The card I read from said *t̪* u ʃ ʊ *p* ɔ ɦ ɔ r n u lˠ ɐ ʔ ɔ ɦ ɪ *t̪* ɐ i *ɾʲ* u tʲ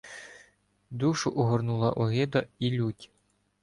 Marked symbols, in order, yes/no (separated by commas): no, no, no, no